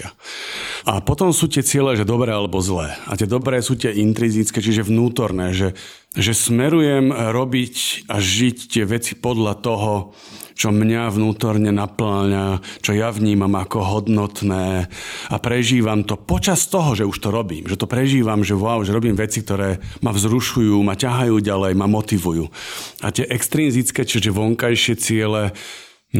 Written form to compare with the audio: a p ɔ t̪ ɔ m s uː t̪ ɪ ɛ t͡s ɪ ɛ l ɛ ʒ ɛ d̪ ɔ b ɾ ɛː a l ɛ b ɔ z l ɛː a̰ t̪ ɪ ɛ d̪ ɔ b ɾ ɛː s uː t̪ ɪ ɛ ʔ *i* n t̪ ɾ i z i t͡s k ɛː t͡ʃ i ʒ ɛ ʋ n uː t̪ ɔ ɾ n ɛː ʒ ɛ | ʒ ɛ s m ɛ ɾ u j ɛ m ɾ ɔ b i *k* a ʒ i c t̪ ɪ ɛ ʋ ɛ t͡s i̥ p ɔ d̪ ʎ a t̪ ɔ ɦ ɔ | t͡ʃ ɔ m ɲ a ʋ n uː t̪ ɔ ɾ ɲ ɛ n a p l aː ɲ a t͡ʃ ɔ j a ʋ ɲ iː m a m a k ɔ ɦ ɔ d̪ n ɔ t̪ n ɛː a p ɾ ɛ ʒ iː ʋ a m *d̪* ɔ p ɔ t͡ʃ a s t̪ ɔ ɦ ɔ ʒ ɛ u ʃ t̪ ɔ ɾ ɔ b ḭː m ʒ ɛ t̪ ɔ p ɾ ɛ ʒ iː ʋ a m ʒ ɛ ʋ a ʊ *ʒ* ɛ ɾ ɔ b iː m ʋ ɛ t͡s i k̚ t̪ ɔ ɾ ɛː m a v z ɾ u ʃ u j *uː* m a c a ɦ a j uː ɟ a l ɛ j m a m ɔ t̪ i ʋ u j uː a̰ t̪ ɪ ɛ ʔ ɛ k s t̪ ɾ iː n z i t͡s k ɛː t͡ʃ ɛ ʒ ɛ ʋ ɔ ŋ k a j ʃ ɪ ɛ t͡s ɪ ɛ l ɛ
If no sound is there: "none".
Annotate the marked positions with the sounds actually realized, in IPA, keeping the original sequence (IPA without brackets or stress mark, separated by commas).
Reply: i, c, t̪, ʒ, uː